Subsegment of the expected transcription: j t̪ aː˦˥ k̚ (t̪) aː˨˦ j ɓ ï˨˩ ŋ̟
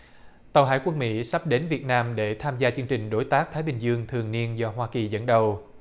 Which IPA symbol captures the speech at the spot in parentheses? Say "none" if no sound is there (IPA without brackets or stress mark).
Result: t̪ʰ